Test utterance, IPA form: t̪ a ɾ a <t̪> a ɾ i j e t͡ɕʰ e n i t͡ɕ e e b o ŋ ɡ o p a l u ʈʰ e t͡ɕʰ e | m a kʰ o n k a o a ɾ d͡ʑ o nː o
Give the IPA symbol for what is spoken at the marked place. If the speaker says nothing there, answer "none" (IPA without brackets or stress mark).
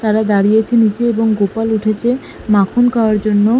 d̪